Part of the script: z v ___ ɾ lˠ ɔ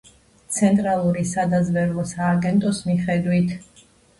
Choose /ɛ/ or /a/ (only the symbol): ɛ